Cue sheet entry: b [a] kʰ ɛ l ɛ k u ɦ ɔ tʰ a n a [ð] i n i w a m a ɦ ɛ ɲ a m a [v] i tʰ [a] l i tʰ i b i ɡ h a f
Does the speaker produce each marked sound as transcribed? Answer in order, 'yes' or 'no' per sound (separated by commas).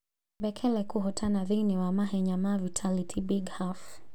no, yes, yes, yes